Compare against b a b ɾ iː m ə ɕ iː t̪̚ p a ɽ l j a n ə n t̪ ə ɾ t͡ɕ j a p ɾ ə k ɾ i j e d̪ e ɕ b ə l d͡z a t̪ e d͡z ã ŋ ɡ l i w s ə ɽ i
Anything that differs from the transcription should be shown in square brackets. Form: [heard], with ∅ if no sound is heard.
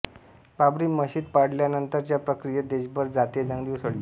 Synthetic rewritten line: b a b ɾ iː m ə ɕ iː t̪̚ p a ɽ l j a n ə n t̪ ə ɾ t͡ɕ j a p ɾ ə k ɾ i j e d̪ e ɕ b ə [ɾ] d͡z a t̪ e d͡z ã ŋ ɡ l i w s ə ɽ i